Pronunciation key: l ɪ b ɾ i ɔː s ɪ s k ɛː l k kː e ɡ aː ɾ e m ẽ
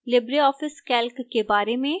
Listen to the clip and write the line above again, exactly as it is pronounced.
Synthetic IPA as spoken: l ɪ b ɾ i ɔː f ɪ s k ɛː l k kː e b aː ɾ e m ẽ